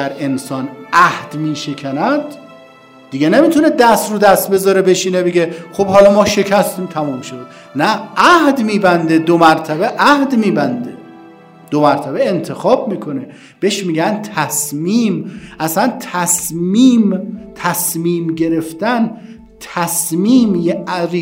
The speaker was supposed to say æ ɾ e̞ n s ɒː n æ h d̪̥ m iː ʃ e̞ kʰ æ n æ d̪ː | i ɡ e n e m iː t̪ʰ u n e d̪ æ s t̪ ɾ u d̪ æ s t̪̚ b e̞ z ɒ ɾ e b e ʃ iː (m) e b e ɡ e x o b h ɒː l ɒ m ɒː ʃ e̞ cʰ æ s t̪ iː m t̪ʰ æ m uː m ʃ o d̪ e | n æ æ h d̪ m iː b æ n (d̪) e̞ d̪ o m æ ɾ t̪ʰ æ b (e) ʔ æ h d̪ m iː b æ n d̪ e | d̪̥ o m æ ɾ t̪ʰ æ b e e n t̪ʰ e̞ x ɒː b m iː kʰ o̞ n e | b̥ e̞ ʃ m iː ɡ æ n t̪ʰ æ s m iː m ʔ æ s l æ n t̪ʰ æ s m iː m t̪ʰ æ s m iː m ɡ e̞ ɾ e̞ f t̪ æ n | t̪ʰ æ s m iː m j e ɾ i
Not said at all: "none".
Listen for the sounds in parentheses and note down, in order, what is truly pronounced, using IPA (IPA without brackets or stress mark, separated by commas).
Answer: n, d̪, e